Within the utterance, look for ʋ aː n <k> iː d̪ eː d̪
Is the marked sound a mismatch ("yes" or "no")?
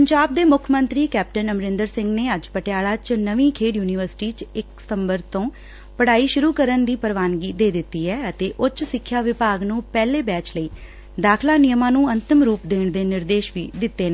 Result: yes